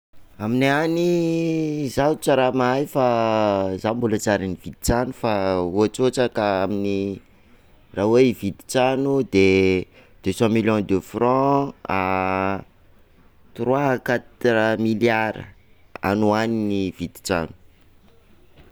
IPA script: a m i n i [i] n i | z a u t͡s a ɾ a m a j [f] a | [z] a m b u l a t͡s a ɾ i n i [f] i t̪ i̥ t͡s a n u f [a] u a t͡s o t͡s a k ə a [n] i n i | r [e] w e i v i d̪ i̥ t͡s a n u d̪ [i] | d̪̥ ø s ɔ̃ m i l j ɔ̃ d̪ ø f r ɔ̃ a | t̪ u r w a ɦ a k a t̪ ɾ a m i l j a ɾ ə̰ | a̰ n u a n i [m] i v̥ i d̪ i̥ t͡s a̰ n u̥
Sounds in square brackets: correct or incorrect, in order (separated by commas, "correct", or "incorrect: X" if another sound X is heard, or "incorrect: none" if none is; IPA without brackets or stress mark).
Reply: incorrect: a, correct, correct, incorrect: v, correct, incorrect: m, incorrect: a, incorrect: e, incorrect: n